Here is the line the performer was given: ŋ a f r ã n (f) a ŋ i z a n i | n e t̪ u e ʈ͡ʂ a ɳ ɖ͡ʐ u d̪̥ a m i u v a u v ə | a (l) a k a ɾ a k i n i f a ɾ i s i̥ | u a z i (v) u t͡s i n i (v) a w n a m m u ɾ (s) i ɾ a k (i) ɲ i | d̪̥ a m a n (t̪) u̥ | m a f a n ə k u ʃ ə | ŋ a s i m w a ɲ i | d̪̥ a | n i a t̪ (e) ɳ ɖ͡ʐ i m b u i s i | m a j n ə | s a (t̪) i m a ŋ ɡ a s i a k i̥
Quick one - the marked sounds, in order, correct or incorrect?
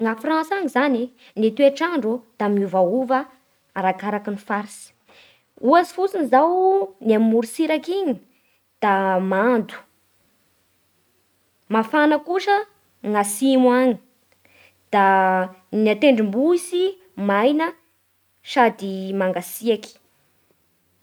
incorrect: s, incorrect: ɾ, incorrect: f, incorrect: z, correct, correct, incorrect: d̪, correct, incorrect: d̪

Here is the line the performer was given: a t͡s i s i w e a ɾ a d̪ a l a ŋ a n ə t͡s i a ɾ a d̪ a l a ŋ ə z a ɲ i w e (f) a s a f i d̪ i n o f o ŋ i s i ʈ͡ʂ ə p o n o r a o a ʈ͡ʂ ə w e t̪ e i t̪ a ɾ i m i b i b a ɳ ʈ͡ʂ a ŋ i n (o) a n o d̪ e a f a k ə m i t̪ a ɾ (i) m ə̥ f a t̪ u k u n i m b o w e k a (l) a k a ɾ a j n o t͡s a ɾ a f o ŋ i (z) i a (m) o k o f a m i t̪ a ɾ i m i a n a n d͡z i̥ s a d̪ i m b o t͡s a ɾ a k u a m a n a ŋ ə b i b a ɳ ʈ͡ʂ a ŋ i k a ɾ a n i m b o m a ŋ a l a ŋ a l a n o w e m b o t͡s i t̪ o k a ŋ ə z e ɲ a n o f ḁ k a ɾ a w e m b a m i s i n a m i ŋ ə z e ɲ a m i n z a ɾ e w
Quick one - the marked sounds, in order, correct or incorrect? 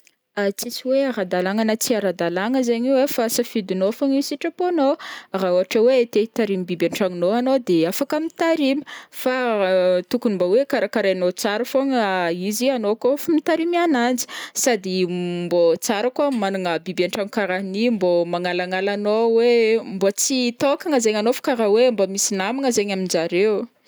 correct, correct, correct, incorrect: ɾ, correct, incorrect: n

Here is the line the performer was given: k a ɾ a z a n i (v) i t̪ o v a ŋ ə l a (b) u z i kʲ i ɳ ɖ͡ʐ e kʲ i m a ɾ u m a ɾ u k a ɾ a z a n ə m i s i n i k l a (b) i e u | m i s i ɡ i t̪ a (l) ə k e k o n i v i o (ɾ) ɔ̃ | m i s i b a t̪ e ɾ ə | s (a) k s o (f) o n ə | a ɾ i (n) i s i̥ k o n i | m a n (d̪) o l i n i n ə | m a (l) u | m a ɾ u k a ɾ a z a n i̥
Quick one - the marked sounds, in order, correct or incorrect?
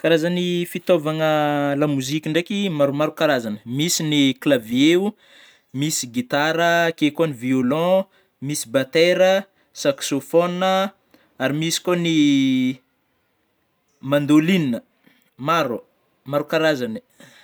incorrect: f, incorrect: m, incorrect: v, incorrect: ɾ, incorrect: l, correct, correct, incorrect: m, correct, incorrect: ɾ

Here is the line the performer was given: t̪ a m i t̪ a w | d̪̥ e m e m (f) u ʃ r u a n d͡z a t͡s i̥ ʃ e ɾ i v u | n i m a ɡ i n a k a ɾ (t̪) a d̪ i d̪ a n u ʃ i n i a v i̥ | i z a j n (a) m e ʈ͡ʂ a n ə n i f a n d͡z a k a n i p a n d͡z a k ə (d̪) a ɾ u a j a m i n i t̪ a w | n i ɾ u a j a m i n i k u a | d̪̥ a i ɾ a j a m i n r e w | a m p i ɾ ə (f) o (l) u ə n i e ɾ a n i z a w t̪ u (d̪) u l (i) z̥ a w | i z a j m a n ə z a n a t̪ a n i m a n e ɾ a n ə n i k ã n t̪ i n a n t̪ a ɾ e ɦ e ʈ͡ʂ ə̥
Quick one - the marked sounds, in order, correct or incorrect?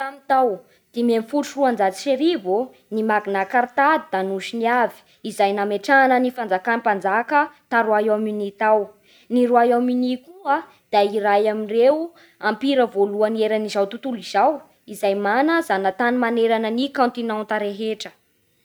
correct, correct, correct, incorrect: t̪, incorrect: v, correct, incorrect: t̪, correct

